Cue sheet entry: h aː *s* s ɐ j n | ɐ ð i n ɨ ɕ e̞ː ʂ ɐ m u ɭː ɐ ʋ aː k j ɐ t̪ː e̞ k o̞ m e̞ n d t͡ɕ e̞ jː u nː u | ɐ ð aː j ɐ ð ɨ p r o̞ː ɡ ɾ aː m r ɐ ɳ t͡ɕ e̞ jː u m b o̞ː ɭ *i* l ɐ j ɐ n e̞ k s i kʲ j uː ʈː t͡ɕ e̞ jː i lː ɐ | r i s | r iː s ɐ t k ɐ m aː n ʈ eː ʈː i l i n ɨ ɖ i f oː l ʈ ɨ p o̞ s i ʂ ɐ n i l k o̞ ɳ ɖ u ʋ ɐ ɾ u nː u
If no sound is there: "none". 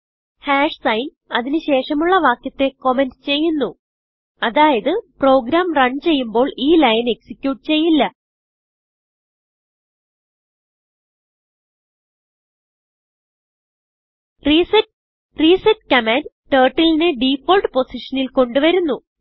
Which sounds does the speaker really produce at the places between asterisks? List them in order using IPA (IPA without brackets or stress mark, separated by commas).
ʂ, iː